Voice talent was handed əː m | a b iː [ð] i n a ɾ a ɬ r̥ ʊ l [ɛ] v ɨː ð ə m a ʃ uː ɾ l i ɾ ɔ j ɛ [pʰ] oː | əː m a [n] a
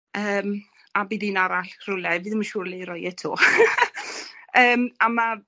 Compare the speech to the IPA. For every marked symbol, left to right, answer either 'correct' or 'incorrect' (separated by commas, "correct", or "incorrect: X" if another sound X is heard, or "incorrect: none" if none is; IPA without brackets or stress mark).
correct, correct, incorrect: tʰ, incorrect: m